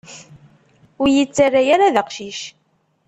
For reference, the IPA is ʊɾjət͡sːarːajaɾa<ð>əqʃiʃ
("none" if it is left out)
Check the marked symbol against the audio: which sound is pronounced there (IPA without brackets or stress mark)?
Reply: ð